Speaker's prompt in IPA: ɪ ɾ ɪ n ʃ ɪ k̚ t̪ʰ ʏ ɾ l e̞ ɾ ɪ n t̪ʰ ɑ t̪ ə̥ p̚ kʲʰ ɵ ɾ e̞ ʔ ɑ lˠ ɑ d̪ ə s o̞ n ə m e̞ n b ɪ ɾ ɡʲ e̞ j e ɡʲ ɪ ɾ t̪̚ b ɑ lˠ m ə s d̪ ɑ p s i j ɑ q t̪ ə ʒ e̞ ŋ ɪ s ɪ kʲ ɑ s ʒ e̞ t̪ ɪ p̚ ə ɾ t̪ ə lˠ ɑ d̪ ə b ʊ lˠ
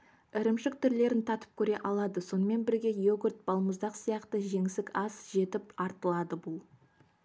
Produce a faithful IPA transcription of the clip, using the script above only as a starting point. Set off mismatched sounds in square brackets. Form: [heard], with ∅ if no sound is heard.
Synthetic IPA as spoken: ɪ ɾ ɪ [m] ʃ ɪ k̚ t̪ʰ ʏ ɾ l e̞ ɾ ɪ n t̪ʰ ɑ t̪ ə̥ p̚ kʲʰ ɵ ɾ e̞ ʔ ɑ lˠ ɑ d̪ ə s o̞ n ə m e̞ n b ɪ ɾ ɡʲ e̞ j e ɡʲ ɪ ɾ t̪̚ b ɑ lˠ m ə [z] d̪ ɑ [q] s i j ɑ q t̪ ə ʒ e̞ ŋ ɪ s ɪ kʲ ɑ s ʒ e̞ t̪ ɪ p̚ [ɑ] ɾ t̪ ə lˠ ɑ d̪ ə b ʊ lˠ